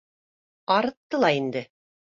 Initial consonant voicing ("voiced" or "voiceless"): voiced